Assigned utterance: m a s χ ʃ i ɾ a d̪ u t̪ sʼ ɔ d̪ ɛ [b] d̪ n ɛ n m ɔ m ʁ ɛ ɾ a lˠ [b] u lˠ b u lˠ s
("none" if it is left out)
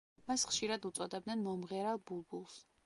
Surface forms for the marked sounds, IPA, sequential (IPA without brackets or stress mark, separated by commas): b, b